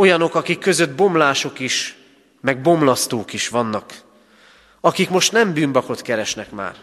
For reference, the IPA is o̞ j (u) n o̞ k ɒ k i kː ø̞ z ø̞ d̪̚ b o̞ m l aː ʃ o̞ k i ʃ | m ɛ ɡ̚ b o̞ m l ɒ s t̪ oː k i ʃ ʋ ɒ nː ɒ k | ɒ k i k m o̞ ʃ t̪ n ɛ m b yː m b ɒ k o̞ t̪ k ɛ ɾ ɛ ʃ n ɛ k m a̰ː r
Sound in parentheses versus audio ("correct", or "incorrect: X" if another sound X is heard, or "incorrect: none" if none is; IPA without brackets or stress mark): incorrect: ɒ